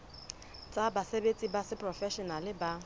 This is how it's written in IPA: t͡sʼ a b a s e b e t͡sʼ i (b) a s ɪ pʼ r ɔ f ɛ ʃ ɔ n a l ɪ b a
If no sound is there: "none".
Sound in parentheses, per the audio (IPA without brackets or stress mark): b